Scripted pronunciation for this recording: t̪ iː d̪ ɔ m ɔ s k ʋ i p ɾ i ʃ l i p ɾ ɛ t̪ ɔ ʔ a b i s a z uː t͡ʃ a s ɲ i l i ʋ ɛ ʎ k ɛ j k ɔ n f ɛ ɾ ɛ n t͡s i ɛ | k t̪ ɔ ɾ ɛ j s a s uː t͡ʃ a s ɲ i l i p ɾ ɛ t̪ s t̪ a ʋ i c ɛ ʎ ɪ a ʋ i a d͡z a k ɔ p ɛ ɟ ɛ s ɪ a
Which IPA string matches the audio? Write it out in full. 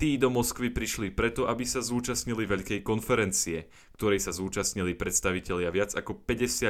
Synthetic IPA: t̪ iː d̪ ɔ m ɔ s k ʋ i p ɾ i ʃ l i p ɾ ɛ t̪ ɔ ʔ a b i s a z uː t͡ʃ a s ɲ i l i ʋ ɛ ʎ k ɛ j k ɔ n f ɛ ɾ ɛ n t͡s i ɛ | k t̪ ɔ ɾ ɛ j s a z uː t͡ʃ a s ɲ i l i p ɾ ɛ t̪ s t̪ a ʋ i c ɛ ʎ ɪ a ʋ ɪ a d͡z a k ɔ p ɛ ɟ ɛ s ɪ a